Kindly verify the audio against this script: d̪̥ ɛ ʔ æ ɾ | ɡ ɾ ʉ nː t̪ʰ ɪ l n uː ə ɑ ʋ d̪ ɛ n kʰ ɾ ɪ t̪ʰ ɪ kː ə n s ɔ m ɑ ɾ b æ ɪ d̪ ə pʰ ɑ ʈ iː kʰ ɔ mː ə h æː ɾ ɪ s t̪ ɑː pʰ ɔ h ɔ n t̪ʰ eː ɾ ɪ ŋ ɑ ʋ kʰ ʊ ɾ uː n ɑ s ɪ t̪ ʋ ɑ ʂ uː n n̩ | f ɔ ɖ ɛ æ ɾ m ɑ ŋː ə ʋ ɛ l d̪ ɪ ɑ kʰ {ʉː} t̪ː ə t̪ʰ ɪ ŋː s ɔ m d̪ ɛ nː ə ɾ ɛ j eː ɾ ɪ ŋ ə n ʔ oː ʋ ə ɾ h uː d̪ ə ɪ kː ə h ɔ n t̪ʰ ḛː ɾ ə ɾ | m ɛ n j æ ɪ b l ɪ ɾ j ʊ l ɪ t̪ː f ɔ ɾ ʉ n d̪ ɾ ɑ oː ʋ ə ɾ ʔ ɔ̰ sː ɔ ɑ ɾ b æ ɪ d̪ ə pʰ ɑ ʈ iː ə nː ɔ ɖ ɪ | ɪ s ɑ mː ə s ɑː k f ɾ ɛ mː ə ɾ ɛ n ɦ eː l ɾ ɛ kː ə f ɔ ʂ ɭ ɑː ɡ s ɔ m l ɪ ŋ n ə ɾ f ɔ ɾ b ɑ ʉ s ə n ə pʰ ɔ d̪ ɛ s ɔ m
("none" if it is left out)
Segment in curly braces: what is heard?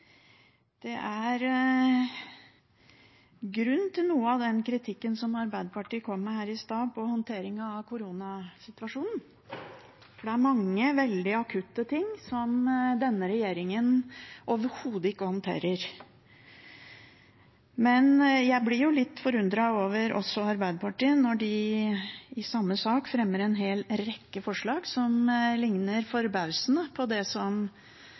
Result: ʉ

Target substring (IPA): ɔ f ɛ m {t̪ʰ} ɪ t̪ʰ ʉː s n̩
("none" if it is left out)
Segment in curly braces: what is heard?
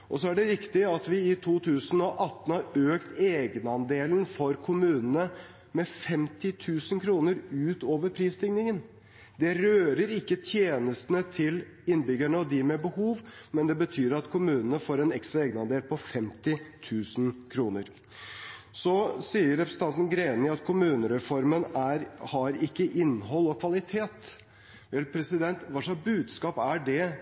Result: t̪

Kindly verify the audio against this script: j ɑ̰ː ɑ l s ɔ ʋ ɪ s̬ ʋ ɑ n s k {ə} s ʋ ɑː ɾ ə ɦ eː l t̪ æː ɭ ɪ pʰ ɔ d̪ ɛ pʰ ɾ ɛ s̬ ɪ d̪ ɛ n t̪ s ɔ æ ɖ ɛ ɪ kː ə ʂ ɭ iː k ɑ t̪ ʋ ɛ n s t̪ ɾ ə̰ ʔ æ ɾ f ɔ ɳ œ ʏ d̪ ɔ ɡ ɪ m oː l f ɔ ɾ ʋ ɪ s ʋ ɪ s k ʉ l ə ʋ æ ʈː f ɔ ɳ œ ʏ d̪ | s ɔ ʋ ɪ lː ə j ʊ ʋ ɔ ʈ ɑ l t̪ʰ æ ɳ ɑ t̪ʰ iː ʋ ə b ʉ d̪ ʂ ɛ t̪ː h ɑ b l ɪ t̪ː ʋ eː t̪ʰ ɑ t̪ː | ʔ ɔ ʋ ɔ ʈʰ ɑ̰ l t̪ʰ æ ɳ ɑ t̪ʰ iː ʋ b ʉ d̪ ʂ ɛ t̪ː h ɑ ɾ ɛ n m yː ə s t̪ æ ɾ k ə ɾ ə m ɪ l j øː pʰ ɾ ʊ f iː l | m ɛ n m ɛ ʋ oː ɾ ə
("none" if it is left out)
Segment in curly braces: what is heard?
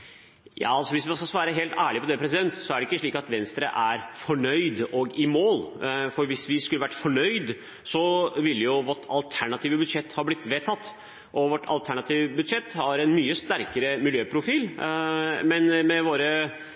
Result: ɑ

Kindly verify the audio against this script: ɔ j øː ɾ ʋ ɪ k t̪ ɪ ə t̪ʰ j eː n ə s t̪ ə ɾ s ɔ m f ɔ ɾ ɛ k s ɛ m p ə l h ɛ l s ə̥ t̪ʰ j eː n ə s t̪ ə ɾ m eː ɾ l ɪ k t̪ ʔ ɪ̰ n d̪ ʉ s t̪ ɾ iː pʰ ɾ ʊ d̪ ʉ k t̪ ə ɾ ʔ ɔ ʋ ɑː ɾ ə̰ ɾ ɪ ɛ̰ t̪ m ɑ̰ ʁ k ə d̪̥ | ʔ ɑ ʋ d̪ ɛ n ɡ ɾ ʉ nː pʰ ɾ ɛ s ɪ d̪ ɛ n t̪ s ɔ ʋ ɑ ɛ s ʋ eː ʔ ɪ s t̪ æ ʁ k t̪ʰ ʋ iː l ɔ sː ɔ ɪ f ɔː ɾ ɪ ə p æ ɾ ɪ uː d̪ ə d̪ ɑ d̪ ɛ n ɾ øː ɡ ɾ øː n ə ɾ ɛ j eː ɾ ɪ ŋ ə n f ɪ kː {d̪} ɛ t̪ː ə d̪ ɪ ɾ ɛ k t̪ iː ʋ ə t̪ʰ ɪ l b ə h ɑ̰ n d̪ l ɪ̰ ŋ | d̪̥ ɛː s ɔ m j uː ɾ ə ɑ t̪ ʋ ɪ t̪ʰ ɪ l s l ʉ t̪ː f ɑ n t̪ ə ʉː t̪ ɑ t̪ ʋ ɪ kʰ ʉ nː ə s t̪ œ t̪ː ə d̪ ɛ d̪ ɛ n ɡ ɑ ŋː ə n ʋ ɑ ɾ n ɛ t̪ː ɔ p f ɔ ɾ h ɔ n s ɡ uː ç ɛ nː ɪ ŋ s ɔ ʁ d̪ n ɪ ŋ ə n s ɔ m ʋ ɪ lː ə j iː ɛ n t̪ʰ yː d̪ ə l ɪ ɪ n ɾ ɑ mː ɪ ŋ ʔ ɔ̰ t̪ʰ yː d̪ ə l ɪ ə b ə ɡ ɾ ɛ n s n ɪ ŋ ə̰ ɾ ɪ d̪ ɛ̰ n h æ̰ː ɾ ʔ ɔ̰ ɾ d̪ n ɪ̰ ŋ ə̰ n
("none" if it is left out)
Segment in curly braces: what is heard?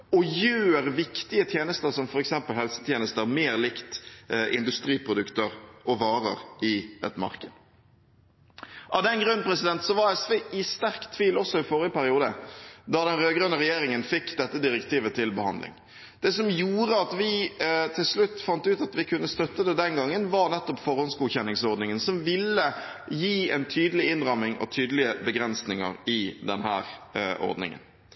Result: d̪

